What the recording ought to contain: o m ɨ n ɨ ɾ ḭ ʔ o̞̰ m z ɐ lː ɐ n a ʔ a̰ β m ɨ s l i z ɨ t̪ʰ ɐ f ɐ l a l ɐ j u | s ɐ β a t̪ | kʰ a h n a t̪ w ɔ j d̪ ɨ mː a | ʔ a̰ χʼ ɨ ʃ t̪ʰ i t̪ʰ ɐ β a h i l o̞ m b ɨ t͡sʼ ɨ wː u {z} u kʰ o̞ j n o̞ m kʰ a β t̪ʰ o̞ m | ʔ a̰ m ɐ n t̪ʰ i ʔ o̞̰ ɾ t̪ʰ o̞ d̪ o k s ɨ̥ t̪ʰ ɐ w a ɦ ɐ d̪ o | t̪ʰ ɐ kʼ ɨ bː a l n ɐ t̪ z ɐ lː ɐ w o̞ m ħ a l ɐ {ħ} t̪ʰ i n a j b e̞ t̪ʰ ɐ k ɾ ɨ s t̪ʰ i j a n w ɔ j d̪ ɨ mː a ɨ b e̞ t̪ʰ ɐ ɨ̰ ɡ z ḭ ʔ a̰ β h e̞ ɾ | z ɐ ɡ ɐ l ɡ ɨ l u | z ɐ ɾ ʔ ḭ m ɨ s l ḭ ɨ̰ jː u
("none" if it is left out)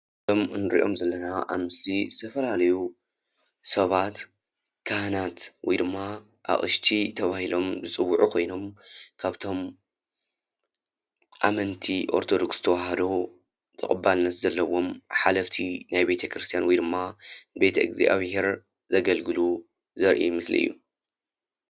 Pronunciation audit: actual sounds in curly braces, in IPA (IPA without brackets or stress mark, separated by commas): ʕ, f